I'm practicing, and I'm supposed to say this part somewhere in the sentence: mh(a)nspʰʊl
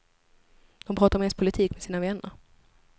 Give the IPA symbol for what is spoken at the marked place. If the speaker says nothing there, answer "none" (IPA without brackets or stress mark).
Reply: ɛ